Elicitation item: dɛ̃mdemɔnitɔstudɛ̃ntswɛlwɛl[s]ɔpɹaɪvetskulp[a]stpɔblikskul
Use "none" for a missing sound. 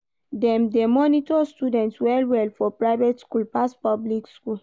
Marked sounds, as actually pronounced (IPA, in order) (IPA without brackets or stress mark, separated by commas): f, a